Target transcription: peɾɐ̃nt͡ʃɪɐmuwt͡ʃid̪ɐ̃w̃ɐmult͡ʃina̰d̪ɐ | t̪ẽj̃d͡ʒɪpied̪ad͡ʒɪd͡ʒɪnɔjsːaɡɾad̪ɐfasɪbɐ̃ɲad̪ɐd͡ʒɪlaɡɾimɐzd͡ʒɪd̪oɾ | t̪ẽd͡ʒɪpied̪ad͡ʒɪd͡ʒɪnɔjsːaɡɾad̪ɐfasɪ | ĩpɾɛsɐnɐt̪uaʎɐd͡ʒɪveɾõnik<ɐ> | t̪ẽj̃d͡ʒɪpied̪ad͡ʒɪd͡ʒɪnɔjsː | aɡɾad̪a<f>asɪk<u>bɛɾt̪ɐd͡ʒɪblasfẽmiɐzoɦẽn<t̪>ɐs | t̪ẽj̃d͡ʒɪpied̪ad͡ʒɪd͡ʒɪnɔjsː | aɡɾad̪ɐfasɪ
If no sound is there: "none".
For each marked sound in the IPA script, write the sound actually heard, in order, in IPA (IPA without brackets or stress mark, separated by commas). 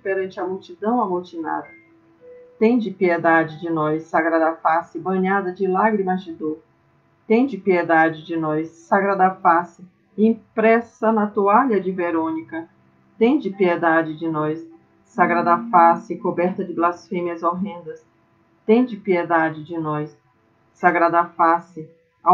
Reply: ɐ, f, o, d̪